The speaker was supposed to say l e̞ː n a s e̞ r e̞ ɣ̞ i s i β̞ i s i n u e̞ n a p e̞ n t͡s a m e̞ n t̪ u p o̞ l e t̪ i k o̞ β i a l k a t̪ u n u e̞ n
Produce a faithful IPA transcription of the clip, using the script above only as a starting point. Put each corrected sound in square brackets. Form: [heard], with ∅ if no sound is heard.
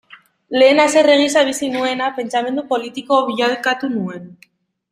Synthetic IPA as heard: l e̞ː n a s e̞ r e̞ ɣ̞ i s [a] β̞ i s i n u e̞ n a p e̞ n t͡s a m e̞ n [d̪] u p o̞ l [i] t̪ i k o̞ β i a l k a t̪ u n u e̞ n

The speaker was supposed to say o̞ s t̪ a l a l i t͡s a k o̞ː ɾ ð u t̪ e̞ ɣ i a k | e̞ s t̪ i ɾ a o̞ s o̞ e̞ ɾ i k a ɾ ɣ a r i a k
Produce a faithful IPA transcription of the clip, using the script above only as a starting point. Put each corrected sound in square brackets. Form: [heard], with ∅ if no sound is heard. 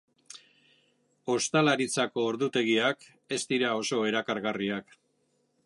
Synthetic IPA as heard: o̞ s t̪ a l a [ɾ] i t͡s a k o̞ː ɾ ð u t̪ e̞ ɣ i a k | e̞ s t̪ i ɾ a o̞ s o̞ e̞ ɾ [a] k a ɾ ɣ a r i a k

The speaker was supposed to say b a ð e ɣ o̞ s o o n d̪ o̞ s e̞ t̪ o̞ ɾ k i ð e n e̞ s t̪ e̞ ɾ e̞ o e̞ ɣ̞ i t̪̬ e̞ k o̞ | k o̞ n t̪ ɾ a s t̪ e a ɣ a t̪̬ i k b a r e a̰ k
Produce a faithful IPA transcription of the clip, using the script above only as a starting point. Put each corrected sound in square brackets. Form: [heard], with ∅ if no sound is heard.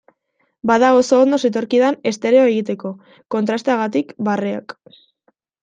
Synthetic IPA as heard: b a ð [a] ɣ o̞ s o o n d̪ o̞ s e̞ t̪ o̞ ɾ k i ð [a] n e̞ s t̪ e̞ ɾ e̞ o e̞ ɣ̞ i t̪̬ e̞ k o̞ | k o̞ n t̪ ɾ a s t̪ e a ɣ a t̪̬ i k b a r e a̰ k

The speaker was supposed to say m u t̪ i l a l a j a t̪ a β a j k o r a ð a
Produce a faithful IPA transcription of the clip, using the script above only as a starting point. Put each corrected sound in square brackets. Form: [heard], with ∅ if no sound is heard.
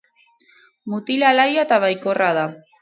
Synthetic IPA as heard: m u t̪ i l a l a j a t̪ a β a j k o r a ð a

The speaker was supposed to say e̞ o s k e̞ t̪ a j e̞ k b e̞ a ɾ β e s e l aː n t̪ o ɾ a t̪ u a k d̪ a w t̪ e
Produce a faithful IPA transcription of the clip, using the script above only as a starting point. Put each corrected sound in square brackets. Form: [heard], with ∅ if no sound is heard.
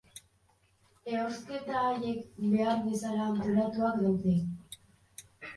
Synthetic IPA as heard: e̞ o s k e̞ t̪ a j e̞ k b e̞ a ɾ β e s [a] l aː n t̪ o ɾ a t̪ u a k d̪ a w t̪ e

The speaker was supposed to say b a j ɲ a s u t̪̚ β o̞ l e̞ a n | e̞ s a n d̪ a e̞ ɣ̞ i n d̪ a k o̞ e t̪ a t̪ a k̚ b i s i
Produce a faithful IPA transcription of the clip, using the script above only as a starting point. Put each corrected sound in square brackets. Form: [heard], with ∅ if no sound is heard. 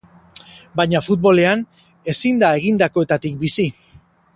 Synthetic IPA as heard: b a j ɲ a [f] u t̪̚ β o̞ l e̞ a n | e̞ s [i] n d̪ a e̞ ɣ̞ i n d̪ a k o̞ e t̪ a t̪ [i] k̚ b i s i

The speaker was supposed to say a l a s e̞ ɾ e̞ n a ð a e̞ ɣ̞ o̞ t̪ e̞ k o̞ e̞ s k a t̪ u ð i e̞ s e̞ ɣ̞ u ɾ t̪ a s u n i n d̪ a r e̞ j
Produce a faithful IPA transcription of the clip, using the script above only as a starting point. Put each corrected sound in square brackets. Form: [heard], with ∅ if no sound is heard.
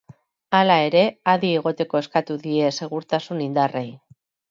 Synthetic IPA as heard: a l a [∅] e̞ ɾ e̞ [∅] a ð [i] e̞ ɣ̞ o̞ t̪ e̞ k o̞ e̞ s k a t̪ u ð i e̞ s e̞ ɣ̞ u ɾ t̪ a s u n i n d̪ a r e̞ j

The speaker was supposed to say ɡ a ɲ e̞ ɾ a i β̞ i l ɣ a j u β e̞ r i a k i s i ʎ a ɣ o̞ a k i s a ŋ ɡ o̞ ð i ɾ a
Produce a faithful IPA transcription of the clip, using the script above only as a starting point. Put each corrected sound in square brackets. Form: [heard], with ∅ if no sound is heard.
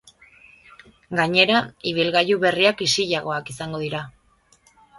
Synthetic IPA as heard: ɡ a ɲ e̞ ɾ a i β̞ i l ɣ a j u β e̞ r i a k i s i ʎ a ɣ o̞ a k i s a ŋ ɡ o̞ ð i ɾ a

